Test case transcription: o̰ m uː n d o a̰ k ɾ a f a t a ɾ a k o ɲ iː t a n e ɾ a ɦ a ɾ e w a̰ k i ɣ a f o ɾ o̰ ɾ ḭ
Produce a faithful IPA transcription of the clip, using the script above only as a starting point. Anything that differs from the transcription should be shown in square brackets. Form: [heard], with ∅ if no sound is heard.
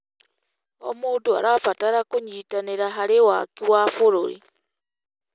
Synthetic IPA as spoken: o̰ m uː n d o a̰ [∅] ɾ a f a t a ɾ a k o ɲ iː t a n e ɾ a ɦ a ɾ e w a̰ k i [w] a f o ɾ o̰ ɾ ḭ